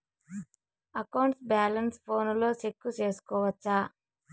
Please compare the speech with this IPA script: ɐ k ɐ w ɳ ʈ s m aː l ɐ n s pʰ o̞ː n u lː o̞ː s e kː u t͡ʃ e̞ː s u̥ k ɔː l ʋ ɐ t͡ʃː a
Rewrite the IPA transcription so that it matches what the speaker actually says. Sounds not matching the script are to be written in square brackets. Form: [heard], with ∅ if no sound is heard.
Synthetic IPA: ɐ k ɐ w ɳ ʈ s [b] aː l ɐ n s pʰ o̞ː n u [l] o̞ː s e kː u t͡ʃ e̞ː s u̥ k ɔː [∅] ʋ ɐ t͡ʃː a

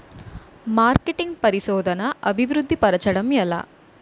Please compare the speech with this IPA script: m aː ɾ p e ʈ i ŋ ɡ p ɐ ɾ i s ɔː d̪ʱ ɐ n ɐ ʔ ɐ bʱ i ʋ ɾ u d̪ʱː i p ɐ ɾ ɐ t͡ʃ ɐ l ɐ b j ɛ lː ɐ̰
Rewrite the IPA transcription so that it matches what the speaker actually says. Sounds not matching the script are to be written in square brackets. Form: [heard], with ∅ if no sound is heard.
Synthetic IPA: m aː ɾ [k] e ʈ i ŋ ɡ p ɐ ɾ i s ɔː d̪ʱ ɐ n ɐ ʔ ɐ bʱ i ʋ ɾ u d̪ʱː i p ɐ ɾ ɐ t͡ʃ ɐ [ɽ] ɐ [m] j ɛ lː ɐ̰

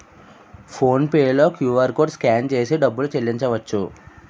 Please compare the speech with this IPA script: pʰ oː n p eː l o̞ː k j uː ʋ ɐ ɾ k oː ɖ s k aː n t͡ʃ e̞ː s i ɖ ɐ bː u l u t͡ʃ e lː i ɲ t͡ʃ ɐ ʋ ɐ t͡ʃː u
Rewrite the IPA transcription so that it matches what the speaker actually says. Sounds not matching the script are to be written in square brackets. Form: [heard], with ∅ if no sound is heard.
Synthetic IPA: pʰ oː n p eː l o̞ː k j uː ʋ ɐ ɾ k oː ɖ s k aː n t͡ʃ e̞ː s i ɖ ɐ bː u l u t͡ʃ e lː i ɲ t͡ʃ ɐ ʋ ɐ t͡ʃː u

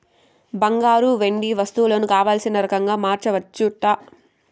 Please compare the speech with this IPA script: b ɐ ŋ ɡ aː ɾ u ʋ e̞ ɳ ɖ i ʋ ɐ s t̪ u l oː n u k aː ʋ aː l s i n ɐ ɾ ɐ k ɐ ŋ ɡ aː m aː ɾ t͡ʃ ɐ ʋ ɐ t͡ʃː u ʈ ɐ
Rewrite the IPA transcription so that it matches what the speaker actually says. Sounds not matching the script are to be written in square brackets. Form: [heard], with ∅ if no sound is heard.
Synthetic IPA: b ɐ ŋ ɡ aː ɾ u ʋ e̞ ɳ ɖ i ʋ ɐ s t̪ u l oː n u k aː ʋ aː l s i n ɐ ɾ ɐ k ɐ ŋ ɡ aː m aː ɾ t͡ʃ ɐ ʋ ɐ t͡ʃː u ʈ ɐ

